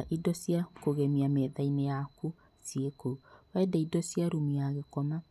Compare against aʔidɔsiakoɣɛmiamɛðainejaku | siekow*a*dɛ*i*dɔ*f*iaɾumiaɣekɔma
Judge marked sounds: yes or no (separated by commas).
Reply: no, yes, no